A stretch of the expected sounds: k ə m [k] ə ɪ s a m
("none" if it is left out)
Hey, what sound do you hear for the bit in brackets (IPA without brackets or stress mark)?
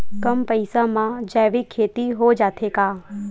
p